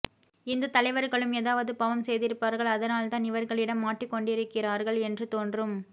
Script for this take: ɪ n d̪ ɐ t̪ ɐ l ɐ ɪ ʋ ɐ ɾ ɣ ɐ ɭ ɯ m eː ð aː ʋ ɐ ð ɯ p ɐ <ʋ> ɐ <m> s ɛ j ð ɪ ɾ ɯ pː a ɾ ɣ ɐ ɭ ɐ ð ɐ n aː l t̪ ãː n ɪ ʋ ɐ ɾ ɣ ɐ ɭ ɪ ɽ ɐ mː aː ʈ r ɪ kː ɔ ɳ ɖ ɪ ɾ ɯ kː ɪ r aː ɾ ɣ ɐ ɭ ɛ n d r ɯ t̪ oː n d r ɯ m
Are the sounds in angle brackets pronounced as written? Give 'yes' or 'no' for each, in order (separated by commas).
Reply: yes, yes